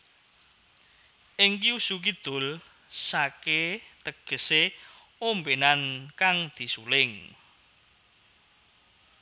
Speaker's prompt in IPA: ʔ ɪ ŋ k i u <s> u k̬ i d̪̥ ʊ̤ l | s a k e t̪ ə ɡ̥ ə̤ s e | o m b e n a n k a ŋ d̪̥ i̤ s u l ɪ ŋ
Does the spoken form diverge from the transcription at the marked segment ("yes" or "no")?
no